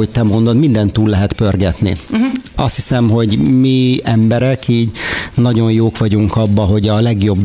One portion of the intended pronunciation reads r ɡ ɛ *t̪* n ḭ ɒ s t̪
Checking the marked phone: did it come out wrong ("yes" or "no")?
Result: no